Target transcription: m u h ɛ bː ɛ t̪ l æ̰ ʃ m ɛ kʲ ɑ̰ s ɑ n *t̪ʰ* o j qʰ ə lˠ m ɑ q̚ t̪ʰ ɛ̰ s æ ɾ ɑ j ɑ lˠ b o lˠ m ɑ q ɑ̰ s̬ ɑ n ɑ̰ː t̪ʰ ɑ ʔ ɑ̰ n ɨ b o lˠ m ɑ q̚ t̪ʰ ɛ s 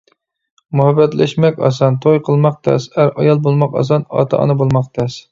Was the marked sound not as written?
no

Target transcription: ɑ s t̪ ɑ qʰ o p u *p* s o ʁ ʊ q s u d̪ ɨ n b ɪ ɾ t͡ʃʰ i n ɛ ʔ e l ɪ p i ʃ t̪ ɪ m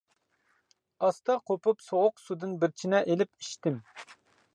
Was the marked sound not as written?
no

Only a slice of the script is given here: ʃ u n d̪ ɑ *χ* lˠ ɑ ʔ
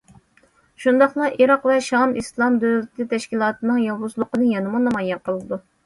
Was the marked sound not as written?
no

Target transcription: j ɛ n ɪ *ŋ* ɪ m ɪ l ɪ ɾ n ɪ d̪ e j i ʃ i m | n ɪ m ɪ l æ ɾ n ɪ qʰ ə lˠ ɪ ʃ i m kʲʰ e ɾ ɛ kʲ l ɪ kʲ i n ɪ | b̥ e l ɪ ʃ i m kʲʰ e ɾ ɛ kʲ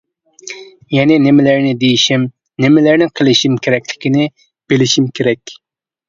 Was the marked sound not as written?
yes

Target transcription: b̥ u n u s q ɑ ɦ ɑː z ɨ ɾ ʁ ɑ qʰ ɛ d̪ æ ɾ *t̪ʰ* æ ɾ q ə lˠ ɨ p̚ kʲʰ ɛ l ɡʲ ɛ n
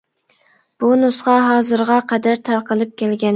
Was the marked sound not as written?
no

